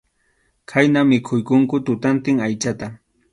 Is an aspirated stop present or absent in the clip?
present